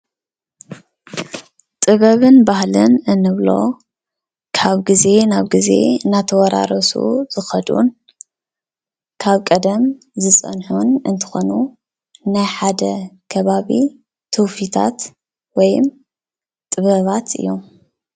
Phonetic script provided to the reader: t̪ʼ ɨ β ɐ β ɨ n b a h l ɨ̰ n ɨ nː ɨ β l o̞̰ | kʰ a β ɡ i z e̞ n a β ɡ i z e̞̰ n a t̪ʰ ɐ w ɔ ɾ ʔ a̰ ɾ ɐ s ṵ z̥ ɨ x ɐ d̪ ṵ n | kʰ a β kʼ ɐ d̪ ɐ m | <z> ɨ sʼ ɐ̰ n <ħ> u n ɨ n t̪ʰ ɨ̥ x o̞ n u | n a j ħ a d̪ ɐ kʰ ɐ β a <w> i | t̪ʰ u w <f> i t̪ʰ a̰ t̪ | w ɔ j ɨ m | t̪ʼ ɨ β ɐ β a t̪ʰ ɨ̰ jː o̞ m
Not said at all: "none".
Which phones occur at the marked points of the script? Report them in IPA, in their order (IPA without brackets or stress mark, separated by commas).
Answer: z, ħ, β, f